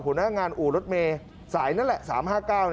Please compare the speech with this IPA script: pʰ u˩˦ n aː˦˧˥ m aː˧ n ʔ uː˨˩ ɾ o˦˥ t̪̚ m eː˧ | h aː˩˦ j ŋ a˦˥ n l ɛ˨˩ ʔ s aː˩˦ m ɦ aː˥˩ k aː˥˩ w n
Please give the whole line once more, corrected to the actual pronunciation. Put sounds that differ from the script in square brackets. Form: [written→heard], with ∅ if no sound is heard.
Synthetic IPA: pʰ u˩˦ n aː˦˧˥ [m→ŋ] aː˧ n ʔ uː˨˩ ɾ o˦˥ t̪̚ m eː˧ | [h→s] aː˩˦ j [ŋ→n] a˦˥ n l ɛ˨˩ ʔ s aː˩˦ m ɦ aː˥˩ k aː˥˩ w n